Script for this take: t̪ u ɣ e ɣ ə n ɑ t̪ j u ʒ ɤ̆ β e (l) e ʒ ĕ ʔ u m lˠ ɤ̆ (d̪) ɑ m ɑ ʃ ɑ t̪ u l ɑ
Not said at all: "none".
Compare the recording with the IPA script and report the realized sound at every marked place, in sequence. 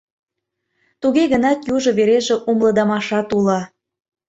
ɾ, d̪

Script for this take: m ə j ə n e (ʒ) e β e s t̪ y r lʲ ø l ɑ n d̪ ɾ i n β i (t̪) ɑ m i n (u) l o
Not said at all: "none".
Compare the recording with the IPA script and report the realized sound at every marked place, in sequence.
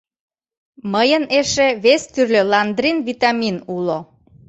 ʃ, t̪, u

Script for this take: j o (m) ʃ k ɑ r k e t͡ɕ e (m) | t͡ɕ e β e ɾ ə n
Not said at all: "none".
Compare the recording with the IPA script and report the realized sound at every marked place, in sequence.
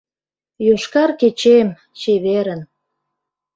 none, m

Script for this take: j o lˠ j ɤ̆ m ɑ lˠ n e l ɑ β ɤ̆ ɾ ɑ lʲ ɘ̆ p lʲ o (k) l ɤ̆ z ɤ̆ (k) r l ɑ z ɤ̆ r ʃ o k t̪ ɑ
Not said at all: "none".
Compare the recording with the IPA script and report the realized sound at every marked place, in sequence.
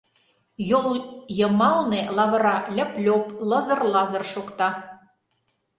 p, none

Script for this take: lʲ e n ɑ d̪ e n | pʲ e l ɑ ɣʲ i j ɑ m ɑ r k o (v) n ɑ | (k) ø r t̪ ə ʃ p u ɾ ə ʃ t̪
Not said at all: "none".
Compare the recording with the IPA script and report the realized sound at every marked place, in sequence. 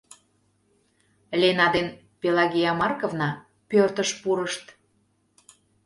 v, p

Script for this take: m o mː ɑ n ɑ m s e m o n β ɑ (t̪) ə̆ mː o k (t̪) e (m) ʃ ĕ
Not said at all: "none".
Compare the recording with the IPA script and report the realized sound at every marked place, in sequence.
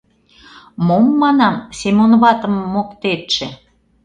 t̪, t̪, none

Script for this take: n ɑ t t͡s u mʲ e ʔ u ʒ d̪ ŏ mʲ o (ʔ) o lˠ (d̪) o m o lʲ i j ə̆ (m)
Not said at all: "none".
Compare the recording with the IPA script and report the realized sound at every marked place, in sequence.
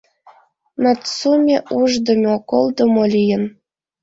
k, d̪, n

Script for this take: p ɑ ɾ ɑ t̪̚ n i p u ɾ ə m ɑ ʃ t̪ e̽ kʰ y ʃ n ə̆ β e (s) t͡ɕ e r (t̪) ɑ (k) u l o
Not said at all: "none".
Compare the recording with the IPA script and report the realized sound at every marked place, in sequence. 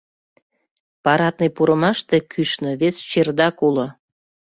s, d̪, k

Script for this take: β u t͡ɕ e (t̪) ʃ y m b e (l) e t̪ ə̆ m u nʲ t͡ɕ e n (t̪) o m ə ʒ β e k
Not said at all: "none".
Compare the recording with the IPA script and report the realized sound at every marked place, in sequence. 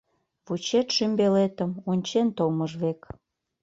t̪, l, t̪

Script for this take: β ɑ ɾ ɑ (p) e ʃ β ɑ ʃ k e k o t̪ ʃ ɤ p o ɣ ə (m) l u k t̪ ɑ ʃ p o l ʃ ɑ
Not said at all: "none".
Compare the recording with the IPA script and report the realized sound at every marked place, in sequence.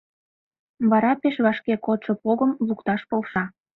p, m

